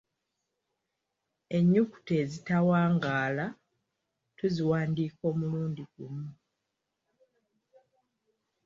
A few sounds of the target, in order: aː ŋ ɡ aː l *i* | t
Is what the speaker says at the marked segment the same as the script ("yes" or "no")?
no